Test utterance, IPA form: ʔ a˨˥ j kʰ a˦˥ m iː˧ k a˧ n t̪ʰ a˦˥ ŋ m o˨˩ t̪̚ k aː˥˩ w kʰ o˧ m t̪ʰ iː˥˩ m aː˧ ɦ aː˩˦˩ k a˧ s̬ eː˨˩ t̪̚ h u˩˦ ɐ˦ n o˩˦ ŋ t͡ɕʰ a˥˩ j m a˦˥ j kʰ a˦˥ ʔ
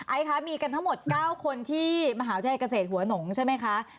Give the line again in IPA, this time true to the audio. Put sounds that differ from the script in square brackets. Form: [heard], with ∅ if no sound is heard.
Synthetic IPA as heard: ʔ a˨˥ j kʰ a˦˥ m iː˧ k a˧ n t̪ʰ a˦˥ ŋ m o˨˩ t̪̚ k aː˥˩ w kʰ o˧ [n] t̪ʰ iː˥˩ m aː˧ ɦ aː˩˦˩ k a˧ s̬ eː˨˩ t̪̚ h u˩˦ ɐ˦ n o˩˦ ŋ t͡ɕʰ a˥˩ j m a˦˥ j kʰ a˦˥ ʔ